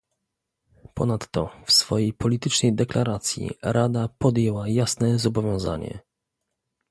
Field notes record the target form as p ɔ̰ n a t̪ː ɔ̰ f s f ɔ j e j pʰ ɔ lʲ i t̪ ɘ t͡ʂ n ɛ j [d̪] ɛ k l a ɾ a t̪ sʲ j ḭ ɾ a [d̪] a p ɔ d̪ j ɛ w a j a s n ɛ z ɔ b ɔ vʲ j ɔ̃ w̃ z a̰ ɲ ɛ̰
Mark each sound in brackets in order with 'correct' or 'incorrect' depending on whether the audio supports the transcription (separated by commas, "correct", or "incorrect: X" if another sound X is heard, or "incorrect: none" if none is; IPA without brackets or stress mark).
correct, correct